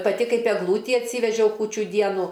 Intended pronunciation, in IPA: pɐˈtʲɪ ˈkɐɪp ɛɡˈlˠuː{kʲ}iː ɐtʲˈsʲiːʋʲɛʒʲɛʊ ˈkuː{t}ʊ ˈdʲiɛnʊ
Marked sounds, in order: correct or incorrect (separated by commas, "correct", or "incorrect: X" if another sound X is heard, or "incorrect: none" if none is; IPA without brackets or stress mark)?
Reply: incorrect: tʲ, incorrect: t͡ʃʲ